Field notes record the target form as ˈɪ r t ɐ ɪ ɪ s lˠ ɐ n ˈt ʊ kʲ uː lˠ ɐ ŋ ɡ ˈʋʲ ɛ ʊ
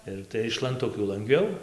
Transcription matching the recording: ˈɪ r t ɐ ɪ ɪ ʃ lˠ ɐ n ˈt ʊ kʲ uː lˠ ɐ ŋ ɡ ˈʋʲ ɛ ʊ